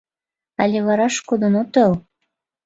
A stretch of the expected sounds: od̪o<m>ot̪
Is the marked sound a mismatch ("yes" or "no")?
yes